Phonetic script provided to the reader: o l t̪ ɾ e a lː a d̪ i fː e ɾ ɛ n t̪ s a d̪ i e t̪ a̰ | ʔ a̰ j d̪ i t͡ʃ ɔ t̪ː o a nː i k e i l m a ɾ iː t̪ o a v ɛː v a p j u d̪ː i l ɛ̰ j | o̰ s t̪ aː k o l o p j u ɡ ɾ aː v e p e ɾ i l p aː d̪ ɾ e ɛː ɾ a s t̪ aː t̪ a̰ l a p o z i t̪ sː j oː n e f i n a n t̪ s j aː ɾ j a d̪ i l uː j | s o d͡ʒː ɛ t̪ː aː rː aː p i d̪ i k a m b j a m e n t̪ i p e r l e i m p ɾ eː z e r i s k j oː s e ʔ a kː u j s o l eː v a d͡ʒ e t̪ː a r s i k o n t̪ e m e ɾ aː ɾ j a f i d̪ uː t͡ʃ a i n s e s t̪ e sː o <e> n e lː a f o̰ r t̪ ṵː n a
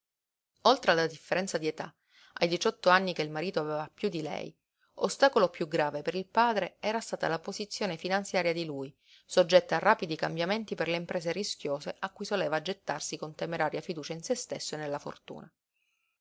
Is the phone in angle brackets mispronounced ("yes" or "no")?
no